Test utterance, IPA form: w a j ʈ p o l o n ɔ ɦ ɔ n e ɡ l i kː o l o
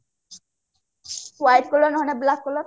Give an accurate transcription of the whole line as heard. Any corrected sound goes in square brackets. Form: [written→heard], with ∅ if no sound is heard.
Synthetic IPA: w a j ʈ [p→k] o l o n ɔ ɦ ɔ n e [ɡ→b] l [i→a] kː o l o